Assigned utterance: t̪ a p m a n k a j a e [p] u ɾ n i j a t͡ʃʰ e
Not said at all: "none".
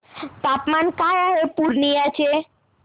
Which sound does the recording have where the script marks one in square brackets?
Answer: p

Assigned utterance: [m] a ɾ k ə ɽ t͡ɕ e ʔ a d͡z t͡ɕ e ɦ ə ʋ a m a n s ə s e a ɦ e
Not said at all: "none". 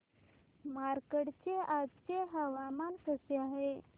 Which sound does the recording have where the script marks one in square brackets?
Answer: m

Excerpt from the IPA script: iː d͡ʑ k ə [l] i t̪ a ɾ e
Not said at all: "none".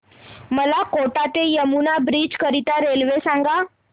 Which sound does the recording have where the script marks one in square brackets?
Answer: ɾ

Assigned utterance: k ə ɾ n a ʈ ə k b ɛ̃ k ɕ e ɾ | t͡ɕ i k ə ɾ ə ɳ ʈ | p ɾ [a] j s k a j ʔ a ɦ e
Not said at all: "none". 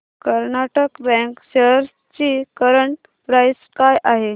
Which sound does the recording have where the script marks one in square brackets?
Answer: a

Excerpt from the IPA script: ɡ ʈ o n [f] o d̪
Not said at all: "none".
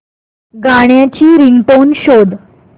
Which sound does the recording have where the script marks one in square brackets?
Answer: ɕ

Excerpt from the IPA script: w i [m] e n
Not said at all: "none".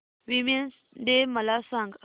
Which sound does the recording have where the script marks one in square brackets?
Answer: m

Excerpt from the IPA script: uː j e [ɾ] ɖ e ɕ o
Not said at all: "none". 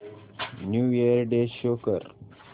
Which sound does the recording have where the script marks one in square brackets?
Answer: ɾ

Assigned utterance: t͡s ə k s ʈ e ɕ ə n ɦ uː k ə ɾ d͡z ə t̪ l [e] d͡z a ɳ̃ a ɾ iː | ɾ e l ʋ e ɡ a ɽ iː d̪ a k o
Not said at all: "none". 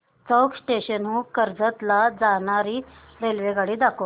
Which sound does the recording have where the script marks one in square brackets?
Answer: a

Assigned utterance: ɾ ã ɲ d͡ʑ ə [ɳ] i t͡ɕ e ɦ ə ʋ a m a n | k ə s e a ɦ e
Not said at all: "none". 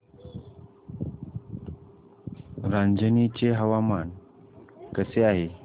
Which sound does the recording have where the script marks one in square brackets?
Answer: n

